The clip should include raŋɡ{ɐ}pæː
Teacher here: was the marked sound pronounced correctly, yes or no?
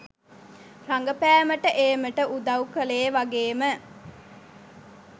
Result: no